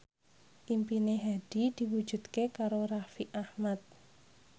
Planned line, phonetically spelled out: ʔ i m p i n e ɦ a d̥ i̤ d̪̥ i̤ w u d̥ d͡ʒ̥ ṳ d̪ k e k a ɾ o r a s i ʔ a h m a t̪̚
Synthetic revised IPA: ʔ i m p i n e ɦ a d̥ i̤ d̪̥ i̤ w u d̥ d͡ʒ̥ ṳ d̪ k e k a ɾ o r a f i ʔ a h m a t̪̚